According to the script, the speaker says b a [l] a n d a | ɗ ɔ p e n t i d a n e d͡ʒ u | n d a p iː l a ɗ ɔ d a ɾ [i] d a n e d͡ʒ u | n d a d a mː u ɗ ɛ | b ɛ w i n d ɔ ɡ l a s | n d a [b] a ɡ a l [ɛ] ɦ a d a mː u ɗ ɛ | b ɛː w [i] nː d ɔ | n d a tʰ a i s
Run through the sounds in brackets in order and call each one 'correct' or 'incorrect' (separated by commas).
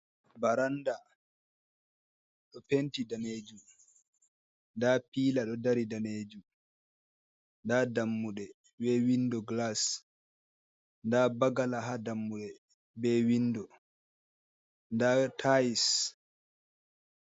incorrect, correct, correct, incorrect, correct